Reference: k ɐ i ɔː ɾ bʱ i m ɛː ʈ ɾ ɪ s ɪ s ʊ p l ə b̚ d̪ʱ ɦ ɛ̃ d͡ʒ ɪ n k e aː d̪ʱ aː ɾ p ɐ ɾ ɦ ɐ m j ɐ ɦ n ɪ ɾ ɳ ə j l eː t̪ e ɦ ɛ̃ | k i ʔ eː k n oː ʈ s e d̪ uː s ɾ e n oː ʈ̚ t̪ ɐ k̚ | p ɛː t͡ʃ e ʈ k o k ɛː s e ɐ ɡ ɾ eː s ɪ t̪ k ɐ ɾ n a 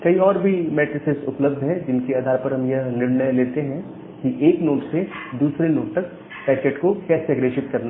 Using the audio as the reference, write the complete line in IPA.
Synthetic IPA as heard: k ɐ i ɔː ɾ bʱ i m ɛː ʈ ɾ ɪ s ɪ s ʊ p l ə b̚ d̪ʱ ɦ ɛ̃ d͡ʒ ɪ n k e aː d̪ʱ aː ɾ p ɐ ɾ ɦ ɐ m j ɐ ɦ n ɪ ɾ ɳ ə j l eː t̪ e ɦ ɛ̃ | k i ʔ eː k n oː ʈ s e d̪ uː s ɾ e n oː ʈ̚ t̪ ɐ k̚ | p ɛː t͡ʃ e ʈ k o k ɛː s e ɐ ɡ ɾ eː ʃ ɪ t̪ k ɐ ɾ n a